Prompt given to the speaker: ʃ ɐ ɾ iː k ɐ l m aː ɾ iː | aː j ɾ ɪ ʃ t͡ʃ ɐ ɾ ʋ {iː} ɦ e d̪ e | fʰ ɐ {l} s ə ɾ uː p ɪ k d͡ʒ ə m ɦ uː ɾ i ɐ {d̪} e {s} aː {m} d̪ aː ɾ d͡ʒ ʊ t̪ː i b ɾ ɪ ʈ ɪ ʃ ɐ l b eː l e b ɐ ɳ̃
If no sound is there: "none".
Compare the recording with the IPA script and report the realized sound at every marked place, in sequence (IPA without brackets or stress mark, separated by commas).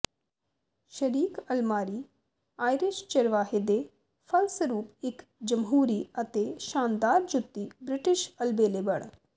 aː, l, t̪, ʃ, n